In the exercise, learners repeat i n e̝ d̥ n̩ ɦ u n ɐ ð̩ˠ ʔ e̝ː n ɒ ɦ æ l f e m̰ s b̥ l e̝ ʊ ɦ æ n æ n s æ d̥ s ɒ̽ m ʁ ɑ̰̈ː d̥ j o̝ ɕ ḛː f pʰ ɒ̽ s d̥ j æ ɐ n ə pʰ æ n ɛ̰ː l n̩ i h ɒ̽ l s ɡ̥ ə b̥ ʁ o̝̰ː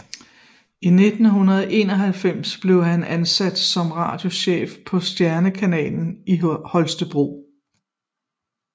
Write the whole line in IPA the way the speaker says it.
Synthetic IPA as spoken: i n e̝ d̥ n̩ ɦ u n ɐ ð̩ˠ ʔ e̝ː n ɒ ɦ æ l f e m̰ s b̥ l e̝ ʊ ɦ æ n æ n s æ d̥ s ɒ̽ m ʁ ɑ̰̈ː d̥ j o̝ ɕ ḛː f pʰ ɒ̽ s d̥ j æ ɐ n ə kʰ æ n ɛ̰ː l n̩ i h ɒ̽ l s d̥ ə b̥ ʁ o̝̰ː